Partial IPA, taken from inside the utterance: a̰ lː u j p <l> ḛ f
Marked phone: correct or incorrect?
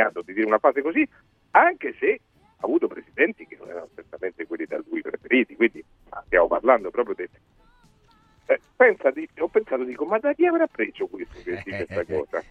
incorrect